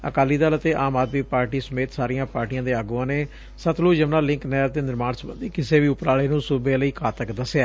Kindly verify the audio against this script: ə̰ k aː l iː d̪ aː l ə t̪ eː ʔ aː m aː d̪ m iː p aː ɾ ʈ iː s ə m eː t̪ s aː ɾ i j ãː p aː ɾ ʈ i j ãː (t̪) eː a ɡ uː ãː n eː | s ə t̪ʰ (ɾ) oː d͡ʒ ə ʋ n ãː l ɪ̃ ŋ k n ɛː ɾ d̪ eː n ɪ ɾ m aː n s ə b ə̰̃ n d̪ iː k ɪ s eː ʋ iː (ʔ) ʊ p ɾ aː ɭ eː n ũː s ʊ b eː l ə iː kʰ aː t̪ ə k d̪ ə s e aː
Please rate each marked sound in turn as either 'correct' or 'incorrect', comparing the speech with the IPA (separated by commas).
incorrect, incorrect, incorrect